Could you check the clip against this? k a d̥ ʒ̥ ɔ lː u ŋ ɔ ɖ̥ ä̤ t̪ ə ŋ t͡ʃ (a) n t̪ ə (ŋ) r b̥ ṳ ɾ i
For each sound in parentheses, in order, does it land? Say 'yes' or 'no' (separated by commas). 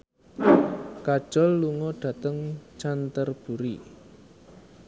yes, no